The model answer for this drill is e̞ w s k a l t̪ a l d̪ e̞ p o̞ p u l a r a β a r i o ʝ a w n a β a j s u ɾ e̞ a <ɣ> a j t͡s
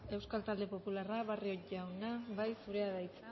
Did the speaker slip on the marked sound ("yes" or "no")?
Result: yes